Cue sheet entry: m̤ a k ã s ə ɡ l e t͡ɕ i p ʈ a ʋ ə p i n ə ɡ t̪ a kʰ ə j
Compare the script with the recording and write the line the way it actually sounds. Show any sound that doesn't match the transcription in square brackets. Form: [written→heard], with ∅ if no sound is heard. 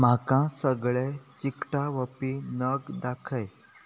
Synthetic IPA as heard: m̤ a k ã s ə ɡ [l→ɭ] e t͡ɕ i [p→k] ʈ a ʋ ə p i n ə ɡ [t̪→d̪] a kʰ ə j